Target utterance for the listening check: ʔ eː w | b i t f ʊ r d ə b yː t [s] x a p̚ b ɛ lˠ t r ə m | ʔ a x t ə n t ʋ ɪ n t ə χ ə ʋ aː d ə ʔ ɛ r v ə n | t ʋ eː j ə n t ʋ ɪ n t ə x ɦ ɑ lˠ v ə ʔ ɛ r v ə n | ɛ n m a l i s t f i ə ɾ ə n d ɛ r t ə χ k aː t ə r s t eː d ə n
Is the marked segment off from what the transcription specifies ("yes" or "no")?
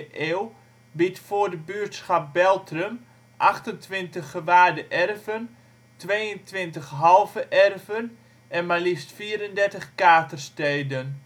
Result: no